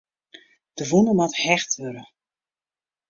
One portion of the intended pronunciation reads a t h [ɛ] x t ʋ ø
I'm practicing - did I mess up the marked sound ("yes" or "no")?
no